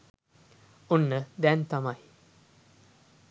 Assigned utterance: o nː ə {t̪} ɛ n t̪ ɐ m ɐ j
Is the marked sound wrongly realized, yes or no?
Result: yes